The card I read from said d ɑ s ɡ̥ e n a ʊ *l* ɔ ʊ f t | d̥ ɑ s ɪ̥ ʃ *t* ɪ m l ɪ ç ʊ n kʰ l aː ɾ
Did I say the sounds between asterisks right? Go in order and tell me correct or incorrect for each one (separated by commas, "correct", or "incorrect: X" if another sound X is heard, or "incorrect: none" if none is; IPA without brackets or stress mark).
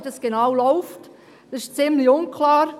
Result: correct, incorrect: t͡s